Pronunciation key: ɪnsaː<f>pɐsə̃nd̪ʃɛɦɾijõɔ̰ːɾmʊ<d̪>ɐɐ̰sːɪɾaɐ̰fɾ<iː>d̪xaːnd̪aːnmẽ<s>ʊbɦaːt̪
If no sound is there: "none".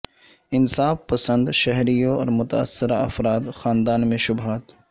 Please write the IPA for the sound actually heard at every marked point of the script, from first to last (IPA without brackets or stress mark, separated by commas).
f, t̪, aː, ʃ